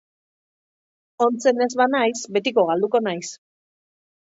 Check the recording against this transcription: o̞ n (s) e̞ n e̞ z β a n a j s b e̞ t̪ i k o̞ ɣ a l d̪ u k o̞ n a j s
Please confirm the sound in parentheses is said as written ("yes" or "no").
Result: no